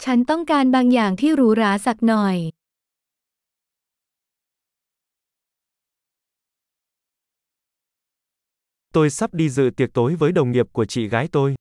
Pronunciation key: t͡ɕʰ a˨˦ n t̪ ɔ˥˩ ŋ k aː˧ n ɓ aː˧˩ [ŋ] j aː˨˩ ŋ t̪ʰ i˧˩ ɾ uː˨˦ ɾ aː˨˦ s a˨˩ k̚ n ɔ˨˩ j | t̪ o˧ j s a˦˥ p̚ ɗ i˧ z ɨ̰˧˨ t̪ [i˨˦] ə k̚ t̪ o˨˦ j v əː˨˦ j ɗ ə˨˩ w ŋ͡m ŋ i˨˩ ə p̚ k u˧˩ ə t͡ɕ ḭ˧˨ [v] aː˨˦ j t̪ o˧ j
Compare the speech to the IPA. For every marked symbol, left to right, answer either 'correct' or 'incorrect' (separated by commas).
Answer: correct, incorrect, incorrect